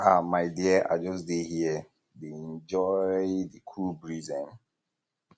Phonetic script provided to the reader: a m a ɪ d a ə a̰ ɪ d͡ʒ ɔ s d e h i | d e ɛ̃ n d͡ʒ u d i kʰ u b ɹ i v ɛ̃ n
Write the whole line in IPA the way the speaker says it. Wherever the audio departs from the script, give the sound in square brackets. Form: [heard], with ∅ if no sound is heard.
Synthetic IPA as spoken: a m a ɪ d [i] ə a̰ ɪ d͡ʒ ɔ s d e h i | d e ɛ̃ n d͡ʒ [ɔ] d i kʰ u b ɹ i [z] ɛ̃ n